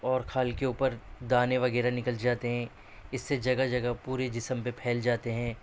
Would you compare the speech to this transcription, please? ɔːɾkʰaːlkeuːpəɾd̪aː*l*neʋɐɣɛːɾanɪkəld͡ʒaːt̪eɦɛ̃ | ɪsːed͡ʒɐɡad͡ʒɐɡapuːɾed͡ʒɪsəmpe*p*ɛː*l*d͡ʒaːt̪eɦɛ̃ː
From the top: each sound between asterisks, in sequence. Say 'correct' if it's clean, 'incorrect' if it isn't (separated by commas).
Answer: incorrect, incorrect, correct